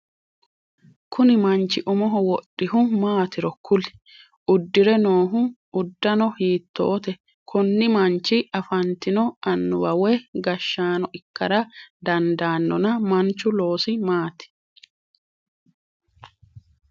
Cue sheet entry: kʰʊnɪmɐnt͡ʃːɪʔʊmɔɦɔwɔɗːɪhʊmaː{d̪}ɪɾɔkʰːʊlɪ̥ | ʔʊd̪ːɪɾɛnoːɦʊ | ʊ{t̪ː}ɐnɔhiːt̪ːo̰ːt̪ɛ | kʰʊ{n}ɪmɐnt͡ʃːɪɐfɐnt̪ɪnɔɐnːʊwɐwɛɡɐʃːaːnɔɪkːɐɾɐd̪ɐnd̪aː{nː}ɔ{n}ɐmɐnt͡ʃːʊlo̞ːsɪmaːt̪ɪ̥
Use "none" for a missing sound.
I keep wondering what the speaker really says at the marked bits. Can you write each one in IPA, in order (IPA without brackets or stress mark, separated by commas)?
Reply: t̪, d̪ː, nː, nː, n